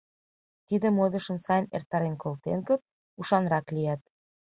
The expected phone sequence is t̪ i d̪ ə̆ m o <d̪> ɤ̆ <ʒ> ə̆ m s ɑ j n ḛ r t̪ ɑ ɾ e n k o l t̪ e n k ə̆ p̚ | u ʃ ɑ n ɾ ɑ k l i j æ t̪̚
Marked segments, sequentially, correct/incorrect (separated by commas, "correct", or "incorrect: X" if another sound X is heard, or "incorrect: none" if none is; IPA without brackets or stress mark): correct, incorrect: ʃ